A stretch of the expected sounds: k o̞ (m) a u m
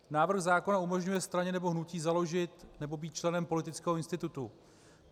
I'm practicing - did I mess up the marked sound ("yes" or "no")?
yes